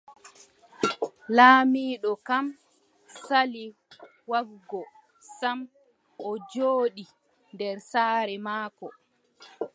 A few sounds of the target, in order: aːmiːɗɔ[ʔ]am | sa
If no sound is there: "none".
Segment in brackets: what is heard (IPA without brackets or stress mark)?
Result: k